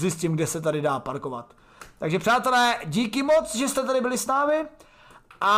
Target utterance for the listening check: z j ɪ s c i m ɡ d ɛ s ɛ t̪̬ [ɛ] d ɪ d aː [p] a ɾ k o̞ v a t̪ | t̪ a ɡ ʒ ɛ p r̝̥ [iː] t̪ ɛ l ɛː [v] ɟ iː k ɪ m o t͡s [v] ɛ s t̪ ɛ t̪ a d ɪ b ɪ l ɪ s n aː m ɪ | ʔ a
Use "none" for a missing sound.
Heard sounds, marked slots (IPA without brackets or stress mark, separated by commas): a, p, aː, none, ʒ